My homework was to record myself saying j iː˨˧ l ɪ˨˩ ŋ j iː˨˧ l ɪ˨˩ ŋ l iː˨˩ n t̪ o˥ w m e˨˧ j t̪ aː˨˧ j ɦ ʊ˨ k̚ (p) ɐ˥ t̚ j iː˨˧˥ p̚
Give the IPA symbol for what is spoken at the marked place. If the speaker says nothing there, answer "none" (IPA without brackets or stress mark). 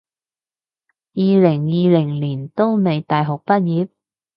p